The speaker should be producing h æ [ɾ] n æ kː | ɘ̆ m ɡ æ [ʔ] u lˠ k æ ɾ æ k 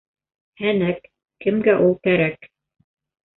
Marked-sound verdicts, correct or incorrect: incorrect: none, correct

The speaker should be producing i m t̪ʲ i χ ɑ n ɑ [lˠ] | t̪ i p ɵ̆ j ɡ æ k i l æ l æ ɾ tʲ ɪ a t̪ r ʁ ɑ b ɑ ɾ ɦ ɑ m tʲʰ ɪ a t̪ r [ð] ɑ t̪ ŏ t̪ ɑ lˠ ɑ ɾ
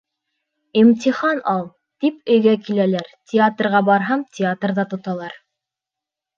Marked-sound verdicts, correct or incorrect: correct, correct

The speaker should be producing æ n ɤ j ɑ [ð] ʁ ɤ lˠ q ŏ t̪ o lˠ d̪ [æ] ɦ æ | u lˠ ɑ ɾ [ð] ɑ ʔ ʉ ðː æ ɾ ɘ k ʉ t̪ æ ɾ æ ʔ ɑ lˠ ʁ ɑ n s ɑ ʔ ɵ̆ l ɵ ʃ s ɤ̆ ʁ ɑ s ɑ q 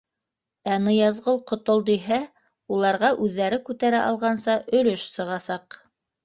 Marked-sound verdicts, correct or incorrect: incorrect: z, incorrect: i, incorrect: ʁ

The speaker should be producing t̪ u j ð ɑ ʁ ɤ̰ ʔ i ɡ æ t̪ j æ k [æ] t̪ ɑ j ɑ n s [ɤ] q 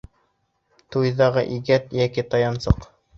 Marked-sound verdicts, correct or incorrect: incorrect: i, correct

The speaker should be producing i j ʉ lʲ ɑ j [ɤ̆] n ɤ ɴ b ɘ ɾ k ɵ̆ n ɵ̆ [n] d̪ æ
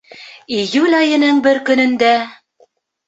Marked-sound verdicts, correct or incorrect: correct, correct

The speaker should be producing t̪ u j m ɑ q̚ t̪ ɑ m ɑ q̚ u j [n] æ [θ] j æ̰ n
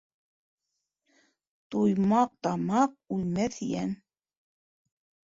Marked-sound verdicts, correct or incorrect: incorrect: m, correct

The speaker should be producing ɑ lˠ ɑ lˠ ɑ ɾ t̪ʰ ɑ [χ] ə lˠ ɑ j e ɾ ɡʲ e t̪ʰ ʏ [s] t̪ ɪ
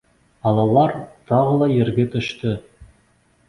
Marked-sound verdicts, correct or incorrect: incorrect: ʁ, incorrect: ʃ

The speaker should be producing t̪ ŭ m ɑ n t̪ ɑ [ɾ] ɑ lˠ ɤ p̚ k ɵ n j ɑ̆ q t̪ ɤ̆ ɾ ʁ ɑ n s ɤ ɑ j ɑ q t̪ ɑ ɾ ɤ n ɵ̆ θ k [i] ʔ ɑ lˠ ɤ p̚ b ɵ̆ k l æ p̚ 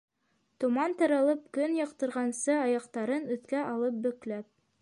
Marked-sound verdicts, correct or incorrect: correct, incorrect: æ

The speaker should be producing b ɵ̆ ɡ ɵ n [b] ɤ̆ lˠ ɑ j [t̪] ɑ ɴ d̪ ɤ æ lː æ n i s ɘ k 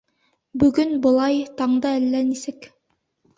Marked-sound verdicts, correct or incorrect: correct, correct

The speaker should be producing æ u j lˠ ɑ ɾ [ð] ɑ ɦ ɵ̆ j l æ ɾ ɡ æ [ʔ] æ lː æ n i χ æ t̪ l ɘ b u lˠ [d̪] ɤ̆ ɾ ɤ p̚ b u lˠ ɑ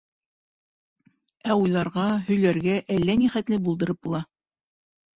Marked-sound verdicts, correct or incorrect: incorrect: ʁ, correct, correct

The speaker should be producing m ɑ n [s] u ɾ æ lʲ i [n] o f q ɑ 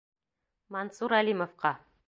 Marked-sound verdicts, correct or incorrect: correct, incorrect: m

